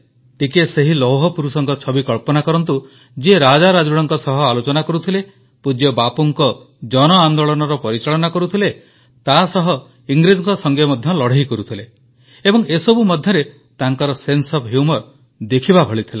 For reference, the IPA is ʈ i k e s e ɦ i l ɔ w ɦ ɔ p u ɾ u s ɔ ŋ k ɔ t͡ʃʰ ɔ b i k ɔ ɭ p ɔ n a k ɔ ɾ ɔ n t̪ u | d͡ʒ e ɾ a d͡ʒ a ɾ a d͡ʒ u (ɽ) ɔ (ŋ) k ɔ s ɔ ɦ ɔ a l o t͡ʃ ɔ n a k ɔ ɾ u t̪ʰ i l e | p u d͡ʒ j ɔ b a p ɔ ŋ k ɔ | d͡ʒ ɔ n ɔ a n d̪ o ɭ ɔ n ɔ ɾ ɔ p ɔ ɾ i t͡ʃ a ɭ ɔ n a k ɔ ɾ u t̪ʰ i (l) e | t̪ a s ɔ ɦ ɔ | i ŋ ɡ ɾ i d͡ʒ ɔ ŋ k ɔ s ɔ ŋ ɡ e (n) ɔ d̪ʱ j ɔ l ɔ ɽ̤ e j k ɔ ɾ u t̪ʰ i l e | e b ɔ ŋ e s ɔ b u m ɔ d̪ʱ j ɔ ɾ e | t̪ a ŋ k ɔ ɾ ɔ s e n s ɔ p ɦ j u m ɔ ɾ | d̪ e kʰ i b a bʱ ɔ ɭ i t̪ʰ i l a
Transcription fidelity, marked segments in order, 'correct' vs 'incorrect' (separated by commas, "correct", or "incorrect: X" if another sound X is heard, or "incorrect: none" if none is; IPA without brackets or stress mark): correct, correct, correct, incorrect: m